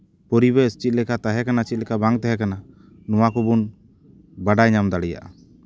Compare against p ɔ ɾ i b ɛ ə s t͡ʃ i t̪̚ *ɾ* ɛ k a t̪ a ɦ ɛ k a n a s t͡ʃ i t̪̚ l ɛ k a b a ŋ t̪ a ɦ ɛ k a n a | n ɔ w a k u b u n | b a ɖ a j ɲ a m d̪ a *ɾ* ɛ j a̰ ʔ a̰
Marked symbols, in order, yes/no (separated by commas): no, no